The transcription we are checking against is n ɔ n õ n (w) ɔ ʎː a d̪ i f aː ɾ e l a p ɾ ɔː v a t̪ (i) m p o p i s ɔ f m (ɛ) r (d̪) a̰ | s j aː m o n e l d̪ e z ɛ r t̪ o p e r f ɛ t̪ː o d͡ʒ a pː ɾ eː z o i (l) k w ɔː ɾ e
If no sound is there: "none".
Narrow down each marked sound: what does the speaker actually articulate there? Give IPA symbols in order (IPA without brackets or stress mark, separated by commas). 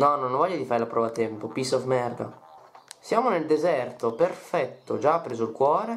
v, ɛ, ɛ, d̪, l